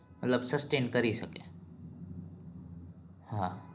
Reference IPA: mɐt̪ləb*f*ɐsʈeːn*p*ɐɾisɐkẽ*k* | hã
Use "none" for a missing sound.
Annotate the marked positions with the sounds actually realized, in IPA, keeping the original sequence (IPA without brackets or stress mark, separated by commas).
s, k, none